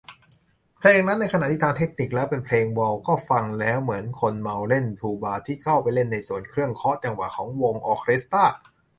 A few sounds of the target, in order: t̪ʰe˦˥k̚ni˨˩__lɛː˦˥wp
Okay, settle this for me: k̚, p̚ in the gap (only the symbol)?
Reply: k̚